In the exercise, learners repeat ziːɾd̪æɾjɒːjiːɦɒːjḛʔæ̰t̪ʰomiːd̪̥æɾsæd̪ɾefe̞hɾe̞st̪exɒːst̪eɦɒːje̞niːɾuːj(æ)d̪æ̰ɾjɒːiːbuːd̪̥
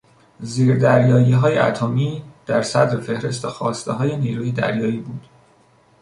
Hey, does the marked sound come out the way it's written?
no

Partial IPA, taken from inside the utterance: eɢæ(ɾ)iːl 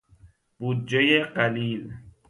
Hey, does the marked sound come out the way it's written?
no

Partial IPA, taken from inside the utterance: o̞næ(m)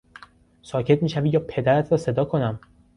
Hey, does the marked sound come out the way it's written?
yes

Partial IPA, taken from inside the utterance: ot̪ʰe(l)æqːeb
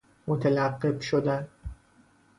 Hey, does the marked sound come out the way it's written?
yes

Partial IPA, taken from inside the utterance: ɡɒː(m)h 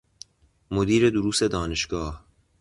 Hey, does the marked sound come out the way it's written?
no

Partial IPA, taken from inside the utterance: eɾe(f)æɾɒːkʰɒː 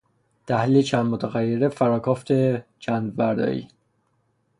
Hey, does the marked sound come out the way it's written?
yes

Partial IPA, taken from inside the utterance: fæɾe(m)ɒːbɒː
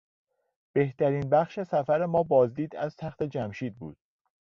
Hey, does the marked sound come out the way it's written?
yes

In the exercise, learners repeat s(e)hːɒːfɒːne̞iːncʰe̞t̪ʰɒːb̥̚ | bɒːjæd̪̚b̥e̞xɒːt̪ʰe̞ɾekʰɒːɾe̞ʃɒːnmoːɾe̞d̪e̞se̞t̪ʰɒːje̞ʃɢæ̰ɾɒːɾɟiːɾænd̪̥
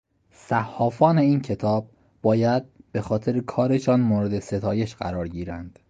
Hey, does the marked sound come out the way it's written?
no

